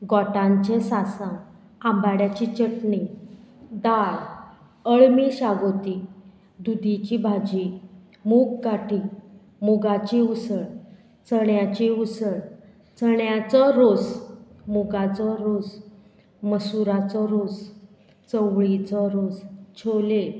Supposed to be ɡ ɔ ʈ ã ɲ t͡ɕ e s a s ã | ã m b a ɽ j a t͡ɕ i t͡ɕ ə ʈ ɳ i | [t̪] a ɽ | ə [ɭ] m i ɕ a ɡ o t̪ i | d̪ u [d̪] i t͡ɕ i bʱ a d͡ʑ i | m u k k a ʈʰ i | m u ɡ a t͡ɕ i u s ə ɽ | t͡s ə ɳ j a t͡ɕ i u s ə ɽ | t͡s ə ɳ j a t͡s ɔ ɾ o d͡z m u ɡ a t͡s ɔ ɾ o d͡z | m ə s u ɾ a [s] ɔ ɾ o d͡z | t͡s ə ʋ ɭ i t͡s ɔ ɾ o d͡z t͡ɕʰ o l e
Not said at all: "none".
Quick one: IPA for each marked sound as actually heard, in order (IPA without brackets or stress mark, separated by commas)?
d̪, ɭ, d̪, t͡s